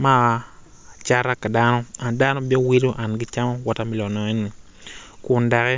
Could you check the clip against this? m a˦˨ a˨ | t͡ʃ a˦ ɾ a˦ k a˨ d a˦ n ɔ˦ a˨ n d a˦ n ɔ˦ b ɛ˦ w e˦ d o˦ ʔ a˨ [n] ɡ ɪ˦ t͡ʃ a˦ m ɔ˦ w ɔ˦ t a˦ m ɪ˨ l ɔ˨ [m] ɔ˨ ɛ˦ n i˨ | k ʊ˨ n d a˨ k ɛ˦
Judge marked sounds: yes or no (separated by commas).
yes, no